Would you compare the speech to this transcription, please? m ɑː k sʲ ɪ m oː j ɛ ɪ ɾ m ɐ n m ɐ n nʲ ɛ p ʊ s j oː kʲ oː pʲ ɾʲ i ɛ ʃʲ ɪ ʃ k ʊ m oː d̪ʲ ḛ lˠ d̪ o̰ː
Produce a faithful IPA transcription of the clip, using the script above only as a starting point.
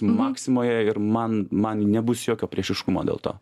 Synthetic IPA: m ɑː k sʲ ɪ m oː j ɛ ɪ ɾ m ɐ n m ɐ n nʲ ɛ b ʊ s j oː kʲ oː pʲ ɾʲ i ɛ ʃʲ ɪ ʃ k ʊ m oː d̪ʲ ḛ lˠ t̪ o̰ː